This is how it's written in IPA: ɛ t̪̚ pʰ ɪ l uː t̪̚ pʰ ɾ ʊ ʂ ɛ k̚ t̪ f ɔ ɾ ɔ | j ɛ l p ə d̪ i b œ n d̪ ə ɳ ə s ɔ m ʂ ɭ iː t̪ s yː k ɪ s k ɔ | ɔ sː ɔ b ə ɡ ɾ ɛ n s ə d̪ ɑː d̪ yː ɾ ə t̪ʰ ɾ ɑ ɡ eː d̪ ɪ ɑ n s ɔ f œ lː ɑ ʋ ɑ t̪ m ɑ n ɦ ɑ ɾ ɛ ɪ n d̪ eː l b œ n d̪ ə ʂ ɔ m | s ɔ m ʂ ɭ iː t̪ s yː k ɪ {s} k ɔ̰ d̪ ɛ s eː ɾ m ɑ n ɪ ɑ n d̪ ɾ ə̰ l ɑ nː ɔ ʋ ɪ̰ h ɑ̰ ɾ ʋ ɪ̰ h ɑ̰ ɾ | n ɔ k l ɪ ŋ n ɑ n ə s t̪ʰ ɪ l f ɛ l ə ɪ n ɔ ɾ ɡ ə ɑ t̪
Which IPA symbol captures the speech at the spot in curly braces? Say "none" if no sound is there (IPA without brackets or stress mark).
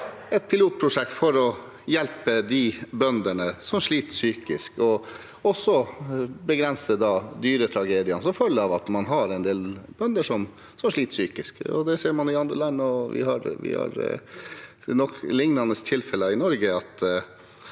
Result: s